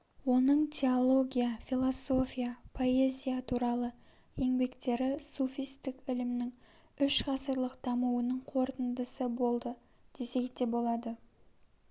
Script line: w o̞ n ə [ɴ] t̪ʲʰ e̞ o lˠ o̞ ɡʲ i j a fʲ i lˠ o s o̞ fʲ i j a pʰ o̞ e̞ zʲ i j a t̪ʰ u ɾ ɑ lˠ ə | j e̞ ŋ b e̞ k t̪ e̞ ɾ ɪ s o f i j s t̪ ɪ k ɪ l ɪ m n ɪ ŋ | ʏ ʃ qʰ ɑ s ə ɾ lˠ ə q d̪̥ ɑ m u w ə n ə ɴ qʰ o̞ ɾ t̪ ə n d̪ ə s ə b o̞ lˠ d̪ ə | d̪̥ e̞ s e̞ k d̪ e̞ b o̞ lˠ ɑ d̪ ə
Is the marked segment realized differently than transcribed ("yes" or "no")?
no